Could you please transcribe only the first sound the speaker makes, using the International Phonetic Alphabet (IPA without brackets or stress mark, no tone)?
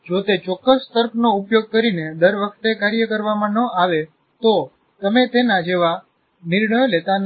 d͡ʒ